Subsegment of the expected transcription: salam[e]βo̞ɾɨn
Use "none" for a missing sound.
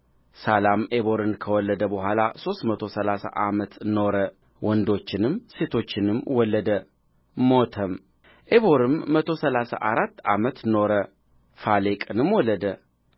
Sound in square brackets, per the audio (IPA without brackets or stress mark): e